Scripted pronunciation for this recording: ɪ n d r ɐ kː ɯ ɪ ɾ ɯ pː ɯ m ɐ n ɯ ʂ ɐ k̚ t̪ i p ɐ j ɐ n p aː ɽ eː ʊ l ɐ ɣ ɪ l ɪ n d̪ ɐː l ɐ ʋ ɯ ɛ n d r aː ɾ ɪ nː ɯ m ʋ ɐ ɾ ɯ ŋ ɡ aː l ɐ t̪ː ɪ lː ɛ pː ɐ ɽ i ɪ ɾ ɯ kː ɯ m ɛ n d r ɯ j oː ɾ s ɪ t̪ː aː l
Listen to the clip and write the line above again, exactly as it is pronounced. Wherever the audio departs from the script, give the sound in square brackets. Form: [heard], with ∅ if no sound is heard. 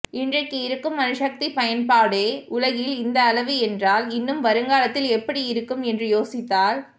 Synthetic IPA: ɪ n d r ɐ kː ɯ ɪ ɾ ɯ [kː] ɯ m ɐ n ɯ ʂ ɐ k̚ t̪ i p ɐ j ɐ n p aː ɽ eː ʊ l ɐ ɣ ɪ l ɪ n d̪ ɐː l ɐ ʋ ɯ ɛ n d r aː [l] ɪ nː ɯ m ʋ ɐ ɾ ɯ ŋ ɡ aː l ɐ t̪ː ɪ [l] ɛ pː ɐ ɽ i ɪ ɾ ɯ kː ɯ m ɛ n d r ɯ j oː [∅] s ɪ t̪ː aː l